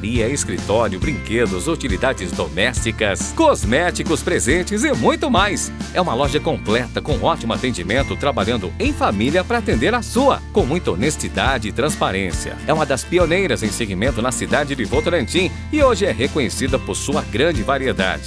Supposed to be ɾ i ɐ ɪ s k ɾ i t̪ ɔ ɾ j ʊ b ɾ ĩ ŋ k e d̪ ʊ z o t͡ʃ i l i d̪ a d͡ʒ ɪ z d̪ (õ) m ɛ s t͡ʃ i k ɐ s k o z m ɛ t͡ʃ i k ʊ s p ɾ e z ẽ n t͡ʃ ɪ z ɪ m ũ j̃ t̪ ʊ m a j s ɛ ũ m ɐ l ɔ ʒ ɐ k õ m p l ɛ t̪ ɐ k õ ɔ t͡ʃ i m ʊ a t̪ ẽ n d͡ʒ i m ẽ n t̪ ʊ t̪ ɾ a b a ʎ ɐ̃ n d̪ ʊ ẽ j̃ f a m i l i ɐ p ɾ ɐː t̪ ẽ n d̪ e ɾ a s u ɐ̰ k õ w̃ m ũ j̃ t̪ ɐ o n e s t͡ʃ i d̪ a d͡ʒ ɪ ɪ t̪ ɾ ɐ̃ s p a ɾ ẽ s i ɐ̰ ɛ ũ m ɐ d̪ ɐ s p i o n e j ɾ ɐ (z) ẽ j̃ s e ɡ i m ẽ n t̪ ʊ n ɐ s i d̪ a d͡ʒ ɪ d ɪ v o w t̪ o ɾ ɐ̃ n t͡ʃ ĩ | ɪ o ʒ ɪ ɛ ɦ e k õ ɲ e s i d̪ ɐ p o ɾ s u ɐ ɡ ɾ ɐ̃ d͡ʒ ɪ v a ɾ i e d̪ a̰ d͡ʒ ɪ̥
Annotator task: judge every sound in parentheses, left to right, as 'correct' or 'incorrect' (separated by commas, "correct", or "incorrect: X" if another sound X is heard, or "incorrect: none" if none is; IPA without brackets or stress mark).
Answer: incorrect: o, correct